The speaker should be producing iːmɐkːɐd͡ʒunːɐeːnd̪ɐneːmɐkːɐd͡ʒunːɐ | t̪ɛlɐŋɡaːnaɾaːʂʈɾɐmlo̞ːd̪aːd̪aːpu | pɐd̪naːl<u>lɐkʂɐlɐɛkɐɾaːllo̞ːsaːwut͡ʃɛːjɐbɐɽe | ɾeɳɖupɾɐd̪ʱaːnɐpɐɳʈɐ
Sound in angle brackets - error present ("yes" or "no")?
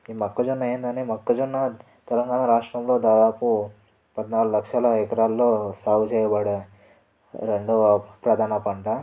no